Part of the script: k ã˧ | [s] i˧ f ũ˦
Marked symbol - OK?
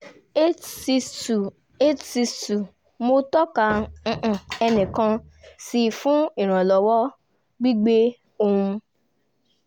yes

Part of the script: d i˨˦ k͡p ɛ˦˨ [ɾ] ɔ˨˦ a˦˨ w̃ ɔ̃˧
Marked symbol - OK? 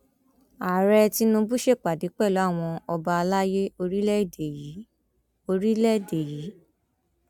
no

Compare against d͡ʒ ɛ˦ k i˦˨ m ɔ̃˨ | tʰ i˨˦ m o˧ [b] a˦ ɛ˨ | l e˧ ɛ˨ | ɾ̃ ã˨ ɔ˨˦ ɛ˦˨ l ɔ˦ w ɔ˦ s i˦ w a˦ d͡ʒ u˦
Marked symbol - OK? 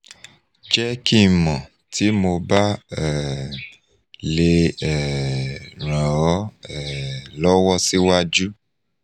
yes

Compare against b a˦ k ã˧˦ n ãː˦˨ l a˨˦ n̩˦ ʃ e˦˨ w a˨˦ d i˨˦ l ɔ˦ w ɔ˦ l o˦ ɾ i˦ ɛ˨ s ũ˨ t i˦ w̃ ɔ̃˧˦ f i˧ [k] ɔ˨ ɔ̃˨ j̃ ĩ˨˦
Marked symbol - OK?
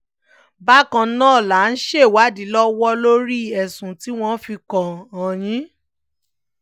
yes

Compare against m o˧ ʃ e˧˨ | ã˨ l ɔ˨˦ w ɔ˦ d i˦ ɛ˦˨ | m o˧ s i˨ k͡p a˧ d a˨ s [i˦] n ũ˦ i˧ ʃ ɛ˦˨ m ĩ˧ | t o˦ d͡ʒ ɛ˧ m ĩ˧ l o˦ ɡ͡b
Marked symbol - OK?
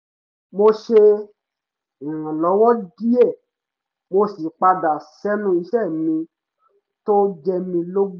no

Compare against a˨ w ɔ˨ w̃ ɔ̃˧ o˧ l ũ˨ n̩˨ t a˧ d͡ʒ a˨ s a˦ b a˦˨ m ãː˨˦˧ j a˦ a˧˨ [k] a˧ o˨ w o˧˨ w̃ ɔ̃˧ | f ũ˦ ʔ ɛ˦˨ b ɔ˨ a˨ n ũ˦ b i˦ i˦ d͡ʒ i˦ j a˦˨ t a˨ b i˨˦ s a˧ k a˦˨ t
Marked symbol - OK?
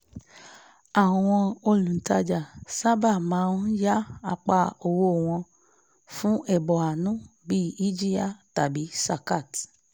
no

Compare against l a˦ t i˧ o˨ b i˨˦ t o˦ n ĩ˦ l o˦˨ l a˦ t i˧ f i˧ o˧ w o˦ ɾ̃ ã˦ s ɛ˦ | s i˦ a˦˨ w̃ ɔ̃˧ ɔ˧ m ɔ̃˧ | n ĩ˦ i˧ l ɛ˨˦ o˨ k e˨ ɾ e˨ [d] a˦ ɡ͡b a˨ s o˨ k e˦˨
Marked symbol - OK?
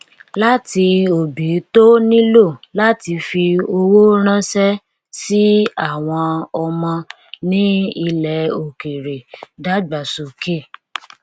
yes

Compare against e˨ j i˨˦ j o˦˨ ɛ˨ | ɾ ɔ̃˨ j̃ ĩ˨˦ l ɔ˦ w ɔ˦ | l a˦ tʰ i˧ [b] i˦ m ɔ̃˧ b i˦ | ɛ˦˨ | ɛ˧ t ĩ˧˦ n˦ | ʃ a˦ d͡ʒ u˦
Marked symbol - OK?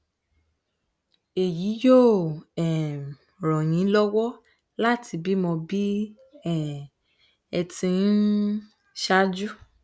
yes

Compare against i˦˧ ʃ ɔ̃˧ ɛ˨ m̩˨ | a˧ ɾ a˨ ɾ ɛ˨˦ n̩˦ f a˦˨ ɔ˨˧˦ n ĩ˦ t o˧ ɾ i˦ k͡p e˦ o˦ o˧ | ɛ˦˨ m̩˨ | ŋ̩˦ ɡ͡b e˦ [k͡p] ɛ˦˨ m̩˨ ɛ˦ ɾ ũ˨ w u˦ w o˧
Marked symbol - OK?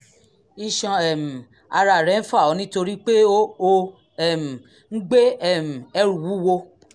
no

